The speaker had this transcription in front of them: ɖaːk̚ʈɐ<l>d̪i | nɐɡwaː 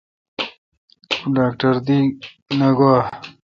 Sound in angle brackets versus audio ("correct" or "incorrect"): incorrect